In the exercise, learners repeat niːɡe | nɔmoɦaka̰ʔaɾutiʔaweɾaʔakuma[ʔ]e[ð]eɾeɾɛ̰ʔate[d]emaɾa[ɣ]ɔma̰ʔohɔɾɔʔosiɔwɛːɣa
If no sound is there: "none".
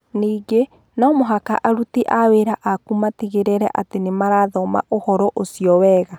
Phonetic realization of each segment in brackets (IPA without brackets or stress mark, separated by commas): t, ɣ, n, ð